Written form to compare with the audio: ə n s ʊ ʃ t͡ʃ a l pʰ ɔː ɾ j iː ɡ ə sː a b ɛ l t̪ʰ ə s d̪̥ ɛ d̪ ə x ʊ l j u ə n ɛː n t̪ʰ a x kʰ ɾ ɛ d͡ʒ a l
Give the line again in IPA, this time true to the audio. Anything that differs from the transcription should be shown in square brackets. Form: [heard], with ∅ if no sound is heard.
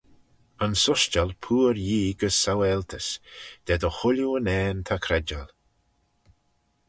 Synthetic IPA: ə n s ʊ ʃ t͡ʃ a l pʰ [uː] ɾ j iː ɡ ə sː a [w] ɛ l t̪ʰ ə s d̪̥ ɛ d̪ ə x ʊ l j u ə n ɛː n t̪ʰ a [∅] kʰ ɾ ɛ d͡ʒ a l

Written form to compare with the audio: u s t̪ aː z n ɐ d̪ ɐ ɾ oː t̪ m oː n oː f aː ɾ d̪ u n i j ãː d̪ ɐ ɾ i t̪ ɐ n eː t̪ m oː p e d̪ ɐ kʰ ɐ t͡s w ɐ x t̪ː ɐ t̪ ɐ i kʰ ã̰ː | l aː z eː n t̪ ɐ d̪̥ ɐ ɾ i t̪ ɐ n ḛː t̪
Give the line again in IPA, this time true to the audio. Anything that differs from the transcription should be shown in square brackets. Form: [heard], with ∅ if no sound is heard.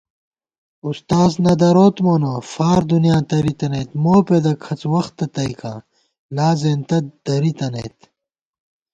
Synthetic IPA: u s t̪ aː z n ɐ d̪ ɐ ɾ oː t̪ m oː n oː f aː ɾ d̪ u n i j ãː [t̪] ɐ ɾ i t̪ ɐ n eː t̪ m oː p e d̪ ɐ kʰ ɐ t͡s w ɐ x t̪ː ɐ t̪ ɐ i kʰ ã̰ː | l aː z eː n t̪ ɐ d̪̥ ɐ ɾ i t̪ ɐ n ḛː t̪

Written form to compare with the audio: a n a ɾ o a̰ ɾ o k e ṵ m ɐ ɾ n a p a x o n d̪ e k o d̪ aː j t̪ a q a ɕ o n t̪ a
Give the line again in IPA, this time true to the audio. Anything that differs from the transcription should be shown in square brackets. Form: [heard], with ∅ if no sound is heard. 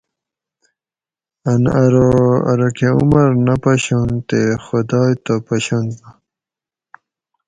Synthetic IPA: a n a ɾ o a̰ ɾ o k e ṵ m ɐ ɾ n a p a [ɕ] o n [t̪] e [x] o d̪ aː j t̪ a [p] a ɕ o n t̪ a

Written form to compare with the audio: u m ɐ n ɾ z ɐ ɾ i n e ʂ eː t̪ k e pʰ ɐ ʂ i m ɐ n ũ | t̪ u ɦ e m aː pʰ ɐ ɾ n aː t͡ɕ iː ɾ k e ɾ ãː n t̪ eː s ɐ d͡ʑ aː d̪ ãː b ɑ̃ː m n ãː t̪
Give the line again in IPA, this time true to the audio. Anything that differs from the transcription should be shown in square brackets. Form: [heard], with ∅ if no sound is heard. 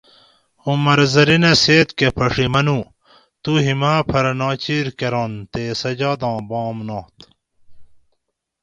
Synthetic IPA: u m ɐ [∅] ɾ z ɐ ɾ i n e [s] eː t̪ k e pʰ ɐ ʂ i m ɐ n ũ | t̪ u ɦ [i] m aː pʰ ɐ ɾ n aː t͡ɕ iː ɾ k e ɾ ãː n t̪ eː s ɐ d͡ʑ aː d̪ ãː b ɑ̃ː m n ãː t̪

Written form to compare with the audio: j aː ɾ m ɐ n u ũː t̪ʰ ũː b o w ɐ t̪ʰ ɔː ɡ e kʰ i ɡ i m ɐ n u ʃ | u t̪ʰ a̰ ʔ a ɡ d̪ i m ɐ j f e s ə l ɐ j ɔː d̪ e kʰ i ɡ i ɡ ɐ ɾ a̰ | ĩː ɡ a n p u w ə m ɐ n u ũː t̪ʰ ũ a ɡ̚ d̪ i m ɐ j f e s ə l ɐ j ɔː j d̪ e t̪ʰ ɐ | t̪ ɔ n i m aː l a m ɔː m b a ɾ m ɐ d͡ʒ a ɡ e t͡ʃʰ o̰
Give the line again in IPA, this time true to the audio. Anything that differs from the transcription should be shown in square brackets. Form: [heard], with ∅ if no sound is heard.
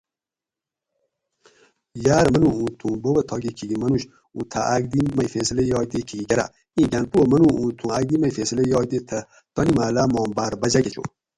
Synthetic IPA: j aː ɾ m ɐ n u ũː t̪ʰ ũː b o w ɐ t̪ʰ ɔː ɡ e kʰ i ɡ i m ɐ n u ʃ | u t̪ʰ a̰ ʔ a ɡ d̪ i m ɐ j f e s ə l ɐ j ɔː d̪ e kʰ i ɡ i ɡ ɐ ɾ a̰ | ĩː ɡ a n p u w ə m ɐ n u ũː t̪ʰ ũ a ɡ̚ d̪ i m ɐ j f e s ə l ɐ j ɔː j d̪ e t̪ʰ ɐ | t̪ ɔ n i m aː l a m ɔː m b a ɾ [b] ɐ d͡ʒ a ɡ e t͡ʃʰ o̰

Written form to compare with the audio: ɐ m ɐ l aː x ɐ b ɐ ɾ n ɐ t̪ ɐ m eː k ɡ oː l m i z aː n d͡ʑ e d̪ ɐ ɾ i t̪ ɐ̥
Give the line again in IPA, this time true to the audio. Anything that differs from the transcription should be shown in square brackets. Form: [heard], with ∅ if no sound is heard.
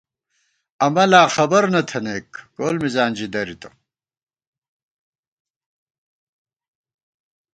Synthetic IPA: ɐ m ɐ l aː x ɐ b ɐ ɾ n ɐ [t̪ʰ] ɐ [n] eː k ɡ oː l m i z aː n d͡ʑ [i] d̪ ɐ ɾ i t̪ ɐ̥

